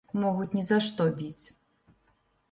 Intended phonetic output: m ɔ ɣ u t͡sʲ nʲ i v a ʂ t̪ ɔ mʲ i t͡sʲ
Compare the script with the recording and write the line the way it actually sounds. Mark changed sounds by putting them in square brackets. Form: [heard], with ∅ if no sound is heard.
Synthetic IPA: m ɔ ɣ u t͡sʲ nʲ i [z] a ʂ t̪ ɔ [bʲ] i t͡sʲ